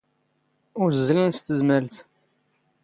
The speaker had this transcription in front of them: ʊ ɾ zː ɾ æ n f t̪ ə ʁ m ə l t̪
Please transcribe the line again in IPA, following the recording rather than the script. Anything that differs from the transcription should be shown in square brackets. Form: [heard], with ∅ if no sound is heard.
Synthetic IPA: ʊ ɾ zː [l] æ n [s] t̪ ə [z] m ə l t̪